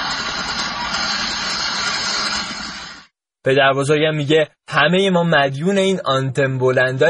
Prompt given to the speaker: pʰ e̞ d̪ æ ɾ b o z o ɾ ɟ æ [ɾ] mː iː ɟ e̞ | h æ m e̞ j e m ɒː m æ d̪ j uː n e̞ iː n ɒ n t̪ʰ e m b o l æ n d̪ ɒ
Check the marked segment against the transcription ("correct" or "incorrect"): incorrect